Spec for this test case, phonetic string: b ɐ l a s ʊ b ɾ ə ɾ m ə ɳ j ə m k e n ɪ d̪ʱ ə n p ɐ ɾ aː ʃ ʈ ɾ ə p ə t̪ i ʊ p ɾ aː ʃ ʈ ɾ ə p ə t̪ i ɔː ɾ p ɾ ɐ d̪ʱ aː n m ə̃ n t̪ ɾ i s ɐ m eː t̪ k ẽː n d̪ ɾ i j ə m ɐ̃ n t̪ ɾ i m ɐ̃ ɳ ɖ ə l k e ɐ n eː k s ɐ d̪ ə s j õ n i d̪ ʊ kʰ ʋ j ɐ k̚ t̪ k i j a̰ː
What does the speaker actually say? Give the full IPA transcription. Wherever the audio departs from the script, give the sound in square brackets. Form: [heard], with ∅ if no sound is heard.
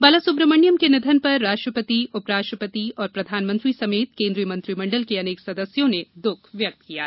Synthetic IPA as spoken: b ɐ l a s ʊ b ɾ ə [∅] m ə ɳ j ə m k e n ɪ d̪ʱ ə n p ɐ [ɾː] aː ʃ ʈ ɾ ə p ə t̪ i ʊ p ɾ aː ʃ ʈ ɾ ə p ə t̪ i ɔː ɾ p ɾ ɐ d̪ʱ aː n m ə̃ n t̪ ɾ i s ɐ m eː t̪ k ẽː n d̪ ɾ i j ə m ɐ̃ n t̪ ɾ i m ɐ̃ ɳ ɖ ə l k e ɐ n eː k s ɐ d̪ ə s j õ n [e] d̪ ʊ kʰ ʋ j ɐ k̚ t̪ k i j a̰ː